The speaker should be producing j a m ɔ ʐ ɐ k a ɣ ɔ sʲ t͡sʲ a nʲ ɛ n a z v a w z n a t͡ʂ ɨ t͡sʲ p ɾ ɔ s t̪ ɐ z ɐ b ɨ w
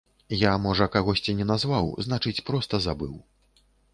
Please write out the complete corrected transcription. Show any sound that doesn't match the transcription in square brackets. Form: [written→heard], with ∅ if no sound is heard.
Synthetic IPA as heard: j a m ɔ ʐ ɐ k a ɣ ɔ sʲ t͡sʲ [a→i] nʲ ɛ n a z v a w z n a t͡ʂ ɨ t͡sʲ p ɾ ɔ s t̪ ɐ z [ɐ→a] b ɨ w